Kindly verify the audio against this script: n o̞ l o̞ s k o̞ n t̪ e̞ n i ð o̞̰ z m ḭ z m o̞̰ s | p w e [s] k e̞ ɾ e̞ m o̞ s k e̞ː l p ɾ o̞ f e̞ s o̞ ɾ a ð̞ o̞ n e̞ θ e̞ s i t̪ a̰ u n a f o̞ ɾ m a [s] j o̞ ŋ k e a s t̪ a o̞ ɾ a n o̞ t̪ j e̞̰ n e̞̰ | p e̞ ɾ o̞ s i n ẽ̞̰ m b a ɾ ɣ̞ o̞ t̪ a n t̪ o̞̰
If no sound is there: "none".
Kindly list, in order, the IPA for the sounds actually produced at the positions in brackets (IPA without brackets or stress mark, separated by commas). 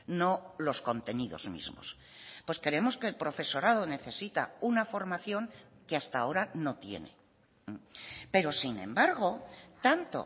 s, θ